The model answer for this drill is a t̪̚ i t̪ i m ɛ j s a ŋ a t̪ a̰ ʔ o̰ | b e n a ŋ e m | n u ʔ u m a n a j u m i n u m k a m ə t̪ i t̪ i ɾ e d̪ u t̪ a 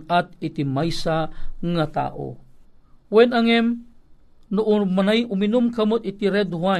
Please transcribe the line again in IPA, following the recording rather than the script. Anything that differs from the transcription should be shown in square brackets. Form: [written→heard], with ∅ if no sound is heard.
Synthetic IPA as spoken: a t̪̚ i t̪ i m [ɛ→a] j s a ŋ a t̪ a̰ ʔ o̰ | [b→w] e n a ŋ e m | n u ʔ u m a n a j u m i n u m k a m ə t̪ i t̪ i ɾ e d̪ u [t̪→∅] a